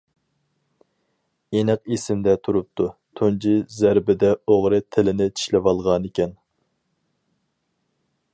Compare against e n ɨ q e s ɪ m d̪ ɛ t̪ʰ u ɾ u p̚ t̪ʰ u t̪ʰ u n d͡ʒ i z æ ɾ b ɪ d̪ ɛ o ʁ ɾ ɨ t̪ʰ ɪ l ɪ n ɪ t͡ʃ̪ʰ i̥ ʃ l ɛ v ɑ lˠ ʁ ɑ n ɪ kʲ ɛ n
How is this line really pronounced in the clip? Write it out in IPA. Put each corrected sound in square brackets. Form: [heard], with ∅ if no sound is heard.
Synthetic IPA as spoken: e n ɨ q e s ɪ m d̪ ɛ t̪ʰ u ɾ u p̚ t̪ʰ u t̪ʰ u n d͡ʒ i z æ ɾ b ɪ d̪ ɛ o ʁ ɾ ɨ t̪ʰ ɪ l ɪ n ɪ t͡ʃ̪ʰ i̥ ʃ l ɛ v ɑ lˠ ʁ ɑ n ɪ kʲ ɛ n